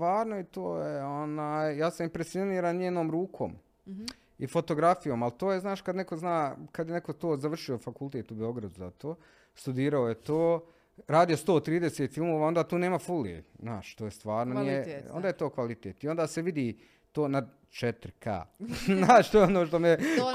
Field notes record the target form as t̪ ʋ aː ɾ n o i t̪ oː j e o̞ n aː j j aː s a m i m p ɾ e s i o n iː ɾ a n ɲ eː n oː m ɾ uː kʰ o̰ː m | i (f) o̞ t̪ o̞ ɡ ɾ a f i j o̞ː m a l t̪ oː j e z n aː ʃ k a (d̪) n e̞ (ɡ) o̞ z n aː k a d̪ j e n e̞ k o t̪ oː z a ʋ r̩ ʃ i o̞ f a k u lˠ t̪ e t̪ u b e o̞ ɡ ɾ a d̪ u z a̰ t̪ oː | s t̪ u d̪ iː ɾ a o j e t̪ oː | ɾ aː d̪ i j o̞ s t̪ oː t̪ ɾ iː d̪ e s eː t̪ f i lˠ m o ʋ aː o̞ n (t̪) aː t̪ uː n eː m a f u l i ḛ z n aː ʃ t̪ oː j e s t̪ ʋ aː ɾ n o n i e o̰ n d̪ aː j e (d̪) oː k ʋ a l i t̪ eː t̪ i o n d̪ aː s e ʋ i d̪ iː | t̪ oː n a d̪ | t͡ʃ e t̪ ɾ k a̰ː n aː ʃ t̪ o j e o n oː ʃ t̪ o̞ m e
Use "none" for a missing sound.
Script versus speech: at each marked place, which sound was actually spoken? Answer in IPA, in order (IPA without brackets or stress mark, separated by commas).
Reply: f, d̪, k, d̪, t̪